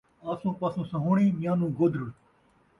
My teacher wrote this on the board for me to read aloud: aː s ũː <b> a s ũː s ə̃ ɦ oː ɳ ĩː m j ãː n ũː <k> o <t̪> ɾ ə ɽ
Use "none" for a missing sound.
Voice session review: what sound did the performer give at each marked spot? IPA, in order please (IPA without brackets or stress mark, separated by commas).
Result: p, ɡ, d̪